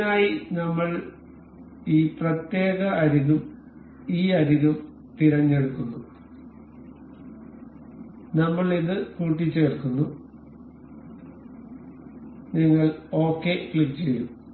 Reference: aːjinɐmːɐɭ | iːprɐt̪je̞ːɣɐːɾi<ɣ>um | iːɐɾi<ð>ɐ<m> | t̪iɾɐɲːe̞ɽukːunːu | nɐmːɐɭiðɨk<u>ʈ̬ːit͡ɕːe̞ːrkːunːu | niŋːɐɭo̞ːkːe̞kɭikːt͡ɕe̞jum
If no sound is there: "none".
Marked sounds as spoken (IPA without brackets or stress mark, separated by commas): ɣ, ɣ, m, uː